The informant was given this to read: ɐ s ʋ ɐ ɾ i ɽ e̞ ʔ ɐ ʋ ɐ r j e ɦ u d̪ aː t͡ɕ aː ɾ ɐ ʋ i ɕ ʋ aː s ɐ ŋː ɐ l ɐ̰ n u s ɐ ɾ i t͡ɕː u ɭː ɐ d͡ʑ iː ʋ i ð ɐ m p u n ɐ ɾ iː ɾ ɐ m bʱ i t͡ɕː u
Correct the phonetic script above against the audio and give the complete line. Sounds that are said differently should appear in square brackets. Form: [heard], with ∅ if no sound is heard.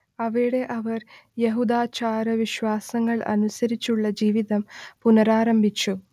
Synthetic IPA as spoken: ɐ [∅] ʋ ɐ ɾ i ɽ e̞ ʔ ɐ ʋ ɐ r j e ɦ u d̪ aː t͡ɕ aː ɾ ɐ ʋ i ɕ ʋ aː s ɐ ŋː ɐ [ɭ] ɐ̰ n u s ɐ ɾ i t͡ɕː u ɭː ɐ d͡ʑ iː ʋ i ð ɐ m p u n ɐ ɾ [aː] ɾ ɐ m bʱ i t͡ɕː u